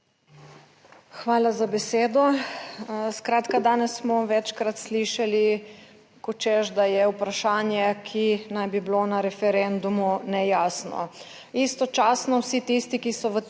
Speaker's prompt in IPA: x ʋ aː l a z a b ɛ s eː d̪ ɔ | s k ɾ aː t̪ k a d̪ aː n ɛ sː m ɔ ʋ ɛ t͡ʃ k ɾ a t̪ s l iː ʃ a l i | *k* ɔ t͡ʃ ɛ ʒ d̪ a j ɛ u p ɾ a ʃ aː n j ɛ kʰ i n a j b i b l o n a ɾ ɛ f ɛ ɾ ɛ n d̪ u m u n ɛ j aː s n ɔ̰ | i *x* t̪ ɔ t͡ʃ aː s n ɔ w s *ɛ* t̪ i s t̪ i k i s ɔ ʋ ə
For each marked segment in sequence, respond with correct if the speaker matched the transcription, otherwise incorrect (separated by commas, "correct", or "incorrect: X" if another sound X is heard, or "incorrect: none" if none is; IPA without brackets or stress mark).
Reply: correct, incorrect: s, incorrect: i